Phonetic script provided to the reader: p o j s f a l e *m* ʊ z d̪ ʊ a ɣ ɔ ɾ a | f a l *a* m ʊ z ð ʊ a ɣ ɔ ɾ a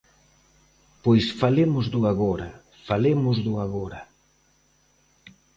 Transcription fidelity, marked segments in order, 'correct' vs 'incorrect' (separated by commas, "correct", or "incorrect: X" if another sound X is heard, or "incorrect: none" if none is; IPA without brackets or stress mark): correct, incorrect: e